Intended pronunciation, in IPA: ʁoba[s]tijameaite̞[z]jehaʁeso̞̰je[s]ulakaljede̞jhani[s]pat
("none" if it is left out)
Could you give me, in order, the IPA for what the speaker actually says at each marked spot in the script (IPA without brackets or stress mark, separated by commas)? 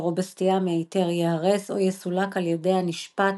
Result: s, ʁ, s, ʃ